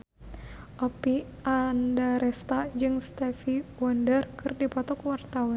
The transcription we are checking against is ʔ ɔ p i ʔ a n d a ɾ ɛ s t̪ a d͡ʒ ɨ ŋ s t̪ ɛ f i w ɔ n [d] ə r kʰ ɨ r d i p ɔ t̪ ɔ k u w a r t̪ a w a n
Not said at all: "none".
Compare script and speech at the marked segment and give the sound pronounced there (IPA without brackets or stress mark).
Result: d